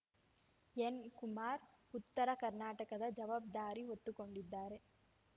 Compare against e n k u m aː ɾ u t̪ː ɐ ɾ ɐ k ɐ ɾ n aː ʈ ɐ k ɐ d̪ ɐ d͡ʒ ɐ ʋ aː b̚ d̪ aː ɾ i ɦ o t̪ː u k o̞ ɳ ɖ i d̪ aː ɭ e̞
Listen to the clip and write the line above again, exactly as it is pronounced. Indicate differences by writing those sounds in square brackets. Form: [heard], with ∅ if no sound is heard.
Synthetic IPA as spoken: e n k u m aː ɾ u t̪ː ɐ ɾ ɐ k ɐ ɾ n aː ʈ ɐ k ɐ d̪ ɐ d͡ʒ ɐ ʋ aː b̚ d̪ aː ɾ i ɦ o t̪ː u k o̞ ɳ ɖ i [d̪ː] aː [ɾ] e̞